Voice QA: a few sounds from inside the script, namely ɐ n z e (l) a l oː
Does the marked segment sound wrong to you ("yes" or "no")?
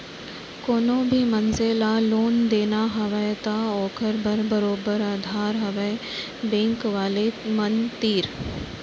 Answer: no